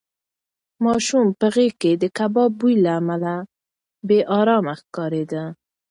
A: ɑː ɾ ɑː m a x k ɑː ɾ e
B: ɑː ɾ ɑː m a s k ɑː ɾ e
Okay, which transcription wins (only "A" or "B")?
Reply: A